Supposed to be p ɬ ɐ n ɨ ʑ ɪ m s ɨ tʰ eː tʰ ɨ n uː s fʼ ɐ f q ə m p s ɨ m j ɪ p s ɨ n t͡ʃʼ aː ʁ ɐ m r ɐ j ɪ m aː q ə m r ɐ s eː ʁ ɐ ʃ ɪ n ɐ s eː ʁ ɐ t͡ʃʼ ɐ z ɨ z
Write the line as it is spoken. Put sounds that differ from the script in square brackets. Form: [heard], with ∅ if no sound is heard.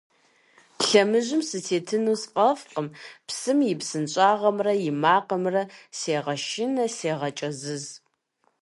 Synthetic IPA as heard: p ɬ ɐ [m] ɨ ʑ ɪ m s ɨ tʰ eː tʰ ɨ n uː s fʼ ɐ f q ə m p s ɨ m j ɪ p s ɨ n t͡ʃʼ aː ʁ ɐ m r ɐ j ɪ m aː q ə m r ɐ s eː ʁ ɐ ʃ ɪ n ɐ s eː ʁ ɐ t͡ʃʼ ɐ z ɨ z